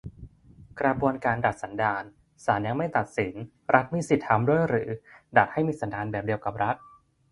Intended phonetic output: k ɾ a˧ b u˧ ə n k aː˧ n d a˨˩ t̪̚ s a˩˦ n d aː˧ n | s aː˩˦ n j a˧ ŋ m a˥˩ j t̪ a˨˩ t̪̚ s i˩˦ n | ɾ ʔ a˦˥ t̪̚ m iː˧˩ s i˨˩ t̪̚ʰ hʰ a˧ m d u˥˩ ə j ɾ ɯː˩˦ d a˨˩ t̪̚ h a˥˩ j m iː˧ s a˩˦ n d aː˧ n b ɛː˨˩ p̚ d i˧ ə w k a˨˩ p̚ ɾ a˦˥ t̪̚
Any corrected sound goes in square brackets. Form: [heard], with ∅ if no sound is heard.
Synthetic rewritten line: k ɾ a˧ b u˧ ə n k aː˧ n d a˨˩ t̪̚ s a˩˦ n d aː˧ n | s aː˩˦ n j a˧ ŋ m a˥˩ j t̪ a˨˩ t̪̚ s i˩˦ n | ɾ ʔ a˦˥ t̪̚ m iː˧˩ s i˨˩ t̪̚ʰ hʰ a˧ m d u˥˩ ə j ɾ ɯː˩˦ d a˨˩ t̪̚ h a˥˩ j m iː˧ s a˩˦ n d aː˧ n b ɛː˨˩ p̚ d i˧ ə w k a˨˩ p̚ ɾ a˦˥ t̪̚